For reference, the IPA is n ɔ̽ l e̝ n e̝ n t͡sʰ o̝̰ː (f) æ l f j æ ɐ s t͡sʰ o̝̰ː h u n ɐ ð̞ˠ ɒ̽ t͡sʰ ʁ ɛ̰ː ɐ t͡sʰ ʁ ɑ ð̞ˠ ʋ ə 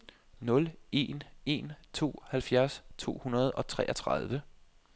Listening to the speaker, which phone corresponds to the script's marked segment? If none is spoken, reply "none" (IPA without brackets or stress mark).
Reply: h